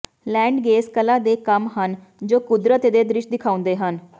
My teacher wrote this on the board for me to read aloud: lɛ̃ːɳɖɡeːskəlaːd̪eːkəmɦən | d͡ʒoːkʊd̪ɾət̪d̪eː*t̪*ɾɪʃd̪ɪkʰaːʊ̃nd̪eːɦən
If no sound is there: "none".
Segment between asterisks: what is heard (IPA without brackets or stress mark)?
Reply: d̪